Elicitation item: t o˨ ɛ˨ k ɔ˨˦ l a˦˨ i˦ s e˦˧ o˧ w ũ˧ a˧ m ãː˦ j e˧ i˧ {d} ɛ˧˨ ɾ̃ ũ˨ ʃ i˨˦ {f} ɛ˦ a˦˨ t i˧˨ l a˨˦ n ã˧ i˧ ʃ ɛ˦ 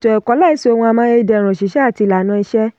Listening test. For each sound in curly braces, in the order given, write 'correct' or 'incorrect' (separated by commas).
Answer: correct, incorrect